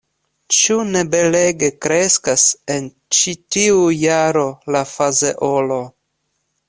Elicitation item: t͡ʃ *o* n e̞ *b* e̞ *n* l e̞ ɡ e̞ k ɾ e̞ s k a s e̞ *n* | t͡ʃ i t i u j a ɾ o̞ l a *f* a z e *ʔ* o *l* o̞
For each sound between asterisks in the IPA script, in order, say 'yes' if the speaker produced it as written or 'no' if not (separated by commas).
no, yes, no, yes, yes, yes, yes